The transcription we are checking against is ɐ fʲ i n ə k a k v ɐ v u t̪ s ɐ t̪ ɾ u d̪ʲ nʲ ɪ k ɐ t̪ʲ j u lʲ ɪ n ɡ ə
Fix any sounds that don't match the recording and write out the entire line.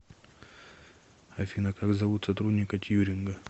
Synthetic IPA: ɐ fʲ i n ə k a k z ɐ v u t̪ s ɐ t̪ ɾ u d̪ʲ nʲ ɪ k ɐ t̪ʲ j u ɾʲ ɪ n ɡ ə